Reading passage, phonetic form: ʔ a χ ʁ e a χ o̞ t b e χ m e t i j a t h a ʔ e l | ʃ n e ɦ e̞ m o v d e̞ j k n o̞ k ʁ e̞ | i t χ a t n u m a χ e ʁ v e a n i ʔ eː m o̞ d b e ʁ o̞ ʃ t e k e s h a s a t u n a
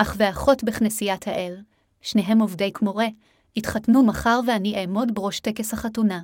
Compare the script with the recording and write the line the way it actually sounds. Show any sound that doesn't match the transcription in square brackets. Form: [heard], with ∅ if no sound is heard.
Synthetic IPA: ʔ a χ [v] e a χ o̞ t b e χ [n] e [s] i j a t h a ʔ e l | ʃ n e ɦ e̞ m o v d e̞ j k [m] o̞ [∅] ʁ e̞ | i t χ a t n u m a χ [a] ʁ v e a n i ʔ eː m o̞ d b e ʁ o̞ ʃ t e k e s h a [χ] a t u n a